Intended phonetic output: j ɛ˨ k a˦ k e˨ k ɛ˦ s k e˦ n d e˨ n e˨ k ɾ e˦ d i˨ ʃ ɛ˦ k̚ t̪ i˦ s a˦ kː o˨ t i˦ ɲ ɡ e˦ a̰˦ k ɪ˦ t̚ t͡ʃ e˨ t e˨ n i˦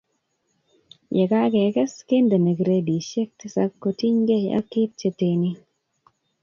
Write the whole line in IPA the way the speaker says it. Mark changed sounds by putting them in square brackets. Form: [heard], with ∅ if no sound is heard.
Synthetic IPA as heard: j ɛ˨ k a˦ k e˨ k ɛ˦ s k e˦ n d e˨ n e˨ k ɾ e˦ d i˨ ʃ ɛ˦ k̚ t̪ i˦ s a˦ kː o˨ t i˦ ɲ ɡ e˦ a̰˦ k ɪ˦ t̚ t͡ʃ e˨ t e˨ n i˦